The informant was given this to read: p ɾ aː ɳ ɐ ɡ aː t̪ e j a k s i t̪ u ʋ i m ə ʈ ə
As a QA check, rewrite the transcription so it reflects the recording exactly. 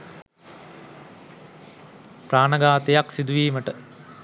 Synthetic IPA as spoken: p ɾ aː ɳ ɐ ɡ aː t̪ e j a k s i d̪ u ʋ iː m ə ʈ ə

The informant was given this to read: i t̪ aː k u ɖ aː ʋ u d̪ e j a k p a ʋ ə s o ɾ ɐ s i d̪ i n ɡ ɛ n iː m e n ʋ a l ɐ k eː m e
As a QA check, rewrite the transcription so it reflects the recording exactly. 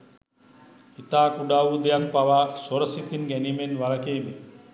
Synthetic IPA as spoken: i t̪ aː k u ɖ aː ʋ u d̪ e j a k p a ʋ a s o ɾ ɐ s i t̪ i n ɡ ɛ n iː m e n ʋ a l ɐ k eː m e

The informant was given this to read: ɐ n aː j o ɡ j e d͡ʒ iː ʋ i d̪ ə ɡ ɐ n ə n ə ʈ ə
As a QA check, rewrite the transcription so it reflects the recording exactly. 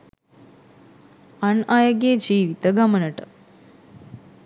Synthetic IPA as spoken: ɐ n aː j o ɡ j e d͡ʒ iː ʋ i t̪ ə ɡ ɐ m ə n ə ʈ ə

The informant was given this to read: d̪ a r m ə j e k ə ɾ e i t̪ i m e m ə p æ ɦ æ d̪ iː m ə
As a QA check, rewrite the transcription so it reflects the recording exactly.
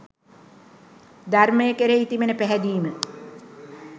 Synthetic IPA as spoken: d̪ a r m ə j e k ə ɾ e i t̪ i m e n ə p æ ɦ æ d̪ iː m ə

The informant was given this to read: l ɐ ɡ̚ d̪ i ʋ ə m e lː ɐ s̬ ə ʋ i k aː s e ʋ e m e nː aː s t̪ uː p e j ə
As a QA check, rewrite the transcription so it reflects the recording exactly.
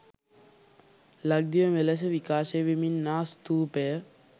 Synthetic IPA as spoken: l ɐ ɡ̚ d̪ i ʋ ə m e l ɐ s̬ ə ʋ i k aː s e ʋ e m i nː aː s t̪ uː p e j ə

